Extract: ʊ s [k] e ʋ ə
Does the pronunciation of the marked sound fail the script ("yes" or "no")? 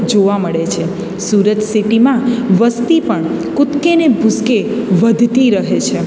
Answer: no